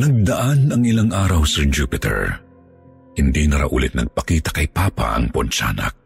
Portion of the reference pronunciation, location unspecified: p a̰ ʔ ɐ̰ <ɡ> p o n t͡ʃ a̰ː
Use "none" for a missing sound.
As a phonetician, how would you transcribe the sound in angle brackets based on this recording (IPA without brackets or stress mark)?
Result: ŋ